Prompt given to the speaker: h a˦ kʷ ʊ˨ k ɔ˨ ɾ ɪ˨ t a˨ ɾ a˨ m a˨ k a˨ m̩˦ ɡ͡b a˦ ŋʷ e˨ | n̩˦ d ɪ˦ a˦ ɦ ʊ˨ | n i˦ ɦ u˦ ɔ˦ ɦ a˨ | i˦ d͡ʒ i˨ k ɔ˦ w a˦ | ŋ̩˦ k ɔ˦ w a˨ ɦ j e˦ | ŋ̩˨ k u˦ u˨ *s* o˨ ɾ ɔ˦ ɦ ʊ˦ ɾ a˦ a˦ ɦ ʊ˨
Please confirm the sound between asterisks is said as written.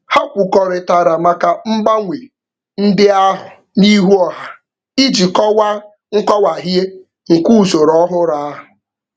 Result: yes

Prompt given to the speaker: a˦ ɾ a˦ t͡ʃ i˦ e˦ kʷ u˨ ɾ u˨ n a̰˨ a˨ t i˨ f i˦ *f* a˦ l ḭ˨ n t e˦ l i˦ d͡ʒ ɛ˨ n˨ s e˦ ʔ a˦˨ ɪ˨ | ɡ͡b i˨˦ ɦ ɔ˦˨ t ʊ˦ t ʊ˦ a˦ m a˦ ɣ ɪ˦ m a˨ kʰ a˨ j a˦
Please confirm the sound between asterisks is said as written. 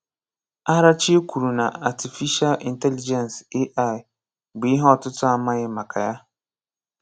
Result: no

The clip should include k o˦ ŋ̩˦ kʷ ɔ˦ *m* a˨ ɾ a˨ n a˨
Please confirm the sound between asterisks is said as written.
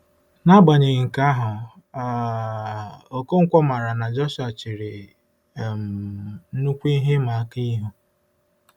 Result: yes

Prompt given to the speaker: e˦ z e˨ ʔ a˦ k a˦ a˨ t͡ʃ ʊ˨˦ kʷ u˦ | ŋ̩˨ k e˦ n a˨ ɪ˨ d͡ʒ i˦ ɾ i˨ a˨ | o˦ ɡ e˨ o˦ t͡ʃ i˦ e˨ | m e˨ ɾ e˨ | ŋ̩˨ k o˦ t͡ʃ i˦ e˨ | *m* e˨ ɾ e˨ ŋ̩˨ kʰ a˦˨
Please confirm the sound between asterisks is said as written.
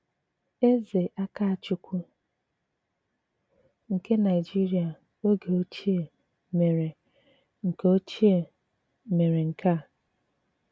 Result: yes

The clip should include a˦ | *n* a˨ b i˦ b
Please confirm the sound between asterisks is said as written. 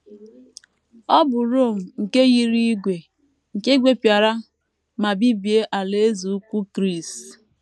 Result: no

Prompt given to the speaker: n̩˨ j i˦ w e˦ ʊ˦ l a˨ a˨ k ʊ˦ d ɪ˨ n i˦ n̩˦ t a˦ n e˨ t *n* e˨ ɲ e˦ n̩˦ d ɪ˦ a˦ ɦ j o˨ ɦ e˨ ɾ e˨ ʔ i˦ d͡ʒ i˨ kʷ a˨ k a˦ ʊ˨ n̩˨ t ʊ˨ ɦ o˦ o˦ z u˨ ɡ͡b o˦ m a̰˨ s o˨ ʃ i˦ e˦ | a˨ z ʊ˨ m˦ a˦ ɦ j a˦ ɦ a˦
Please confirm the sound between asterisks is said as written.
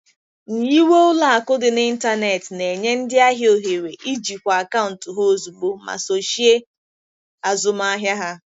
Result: yes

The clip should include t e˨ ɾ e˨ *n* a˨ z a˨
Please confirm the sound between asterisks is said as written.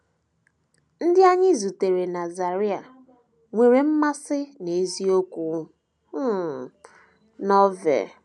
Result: yes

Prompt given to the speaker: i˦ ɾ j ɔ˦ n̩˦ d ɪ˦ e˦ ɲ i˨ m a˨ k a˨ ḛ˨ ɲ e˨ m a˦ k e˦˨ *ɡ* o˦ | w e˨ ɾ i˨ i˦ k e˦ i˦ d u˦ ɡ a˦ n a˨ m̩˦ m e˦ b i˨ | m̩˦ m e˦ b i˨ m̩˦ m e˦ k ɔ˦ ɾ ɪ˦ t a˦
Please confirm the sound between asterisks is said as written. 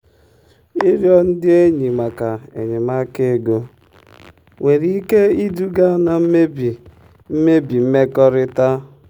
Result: yes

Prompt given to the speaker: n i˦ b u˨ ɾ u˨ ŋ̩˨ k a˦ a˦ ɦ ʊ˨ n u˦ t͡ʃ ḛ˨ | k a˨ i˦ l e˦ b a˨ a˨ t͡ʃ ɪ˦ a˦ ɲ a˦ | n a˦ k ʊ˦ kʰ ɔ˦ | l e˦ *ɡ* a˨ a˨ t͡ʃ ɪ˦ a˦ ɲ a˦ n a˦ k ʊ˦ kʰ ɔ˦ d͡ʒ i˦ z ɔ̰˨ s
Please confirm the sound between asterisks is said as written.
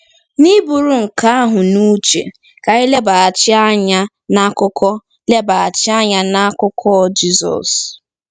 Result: no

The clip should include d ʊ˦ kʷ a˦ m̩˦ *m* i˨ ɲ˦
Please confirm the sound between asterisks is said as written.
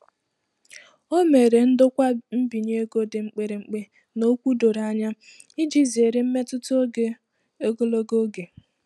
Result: no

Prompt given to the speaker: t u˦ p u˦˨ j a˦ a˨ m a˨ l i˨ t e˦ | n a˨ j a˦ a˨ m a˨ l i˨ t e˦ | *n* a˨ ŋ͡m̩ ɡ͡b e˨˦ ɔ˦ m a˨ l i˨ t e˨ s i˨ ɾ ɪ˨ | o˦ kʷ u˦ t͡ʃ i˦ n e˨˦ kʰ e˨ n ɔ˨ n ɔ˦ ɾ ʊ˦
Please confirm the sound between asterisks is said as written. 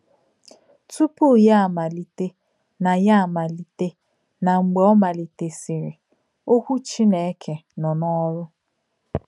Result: yes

